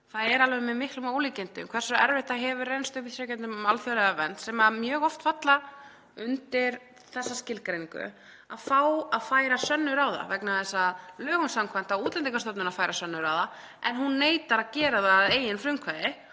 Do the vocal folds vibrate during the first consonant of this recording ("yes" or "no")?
no